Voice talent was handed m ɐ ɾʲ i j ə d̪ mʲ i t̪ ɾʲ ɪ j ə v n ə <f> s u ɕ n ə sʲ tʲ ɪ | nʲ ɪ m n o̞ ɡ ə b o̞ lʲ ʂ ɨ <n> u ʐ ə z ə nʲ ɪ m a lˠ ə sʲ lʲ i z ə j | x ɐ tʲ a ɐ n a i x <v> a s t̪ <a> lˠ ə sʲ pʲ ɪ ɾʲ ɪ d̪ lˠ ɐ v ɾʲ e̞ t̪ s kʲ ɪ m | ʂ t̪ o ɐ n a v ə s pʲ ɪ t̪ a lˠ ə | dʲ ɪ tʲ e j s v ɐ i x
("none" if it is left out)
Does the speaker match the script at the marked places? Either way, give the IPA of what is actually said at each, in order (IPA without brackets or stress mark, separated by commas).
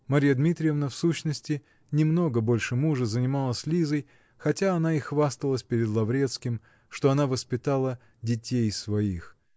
f, m, v, ə